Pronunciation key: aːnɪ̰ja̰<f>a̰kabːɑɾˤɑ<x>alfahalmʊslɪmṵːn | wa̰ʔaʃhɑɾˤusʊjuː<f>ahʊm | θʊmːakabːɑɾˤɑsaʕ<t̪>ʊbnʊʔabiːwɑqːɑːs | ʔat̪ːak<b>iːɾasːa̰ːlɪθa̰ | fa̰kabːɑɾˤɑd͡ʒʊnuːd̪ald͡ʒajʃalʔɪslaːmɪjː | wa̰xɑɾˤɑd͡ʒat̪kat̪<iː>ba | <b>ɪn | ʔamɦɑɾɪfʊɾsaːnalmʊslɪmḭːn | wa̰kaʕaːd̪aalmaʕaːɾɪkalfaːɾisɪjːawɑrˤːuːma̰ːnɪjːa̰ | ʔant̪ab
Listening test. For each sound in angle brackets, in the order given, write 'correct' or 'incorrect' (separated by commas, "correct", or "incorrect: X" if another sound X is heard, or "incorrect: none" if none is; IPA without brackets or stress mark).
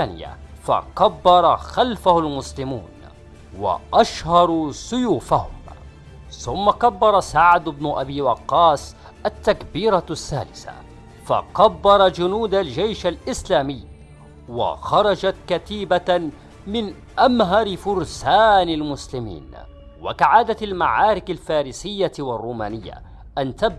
correct, correct, correct, incorrect: d̪, correct, correct, incorrect: m